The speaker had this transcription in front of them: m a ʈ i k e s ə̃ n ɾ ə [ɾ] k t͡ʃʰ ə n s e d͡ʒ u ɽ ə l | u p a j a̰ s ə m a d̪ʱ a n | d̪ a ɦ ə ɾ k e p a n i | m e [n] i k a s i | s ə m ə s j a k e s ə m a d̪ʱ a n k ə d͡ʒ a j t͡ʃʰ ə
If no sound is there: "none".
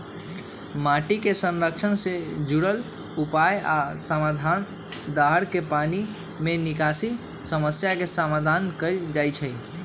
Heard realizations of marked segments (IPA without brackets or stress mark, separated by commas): none, n